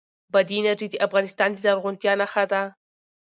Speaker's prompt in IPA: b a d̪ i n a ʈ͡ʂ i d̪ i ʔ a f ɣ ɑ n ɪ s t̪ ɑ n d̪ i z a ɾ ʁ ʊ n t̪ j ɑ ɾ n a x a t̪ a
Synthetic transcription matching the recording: b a d̪ i n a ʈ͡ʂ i d̪ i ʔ a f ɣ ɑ n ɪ s t̪ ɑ n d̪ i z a ɾ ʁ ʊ n t̪ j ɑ n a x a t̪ a